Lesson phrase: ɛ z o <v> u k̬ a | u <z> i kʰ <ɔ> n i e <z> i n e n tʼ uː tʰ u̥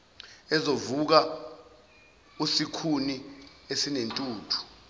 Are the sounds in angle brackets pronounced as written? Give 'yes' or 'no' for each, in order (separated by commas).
yes, no, no, no